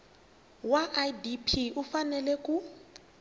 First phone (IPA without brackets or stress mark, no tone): w